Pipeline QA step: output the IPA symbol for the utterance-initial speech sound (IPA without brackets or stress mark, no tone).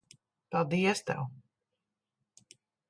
p